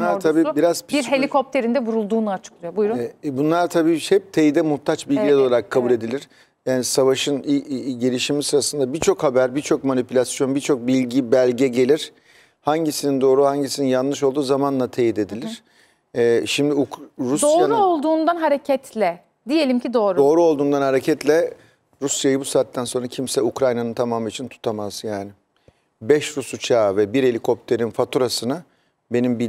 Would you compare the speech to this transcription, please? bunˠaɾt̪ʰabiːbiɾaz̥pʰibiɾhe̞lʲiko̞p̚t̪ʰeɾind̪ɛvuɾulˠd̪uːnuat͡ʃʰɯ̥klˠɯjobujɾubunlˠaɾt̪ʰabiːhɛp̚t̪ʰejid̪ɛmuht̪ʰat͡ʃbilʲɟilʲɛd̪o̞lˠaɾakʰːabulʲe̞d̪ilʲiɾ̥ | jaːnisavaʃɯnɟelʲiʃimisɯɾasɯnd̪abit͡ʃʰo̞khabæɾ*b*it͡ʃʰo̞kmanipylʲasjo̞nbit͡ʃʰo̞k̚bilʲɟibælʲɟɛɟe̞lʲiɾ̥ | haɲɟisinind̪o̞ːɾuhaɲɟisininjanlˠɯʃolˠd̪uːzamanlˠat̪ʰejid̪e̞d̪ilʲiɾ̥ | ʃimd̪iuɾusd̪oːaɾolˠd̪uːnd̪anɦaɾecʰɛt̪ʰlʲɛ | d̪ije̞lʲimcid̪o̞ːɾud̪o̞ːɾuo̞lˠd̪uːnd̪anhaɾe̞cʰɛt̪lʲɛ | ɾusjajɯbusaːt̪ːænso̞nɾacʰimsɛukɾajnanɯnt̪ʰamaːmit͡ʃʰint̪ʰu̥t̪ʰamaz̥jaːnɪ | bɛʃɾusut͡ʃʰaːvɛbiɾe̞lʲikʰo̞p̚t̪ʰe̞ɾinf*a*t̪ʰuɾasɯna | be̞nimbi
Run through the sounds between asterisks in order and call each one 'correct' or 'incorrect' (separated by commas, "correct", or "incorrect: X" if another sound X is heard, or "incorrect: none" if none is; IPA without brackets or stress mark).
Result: correct, correct